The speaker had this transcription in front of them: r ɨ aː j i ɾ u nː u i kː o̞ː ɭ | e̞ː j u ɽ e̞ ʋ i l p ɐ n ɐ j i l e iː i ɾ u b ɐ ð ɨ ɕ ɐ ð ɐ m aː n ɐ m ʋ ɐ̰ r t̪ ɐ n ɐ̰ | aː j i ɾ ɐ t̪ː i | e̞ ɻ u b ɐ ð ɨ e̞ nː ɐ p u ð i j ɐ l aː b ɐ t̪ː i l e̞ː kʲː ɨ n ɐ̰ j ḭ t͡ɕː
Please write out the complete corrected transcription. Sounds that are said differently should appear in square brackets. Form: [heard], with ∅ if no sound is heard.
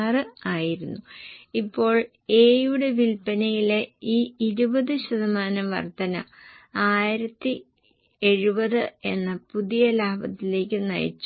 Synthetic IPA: r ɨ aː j i ɾ u nː u i [pː] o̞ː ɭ | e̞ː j u ɽ e̞ ʋ i l p ɐ n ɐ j i l e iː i ɾ u b ɐ ð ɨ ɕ ɐ ð ɐ m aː n ɐ m ʋ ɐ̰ r t̪ ɐ n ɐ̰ | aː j i ɾ ɐ t̪ː i | e̞ ɻ u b ɐ ð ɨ e̞ nː ɐ p u ð i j ɐ l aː b ɐ t̪ː i l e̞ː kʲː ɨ n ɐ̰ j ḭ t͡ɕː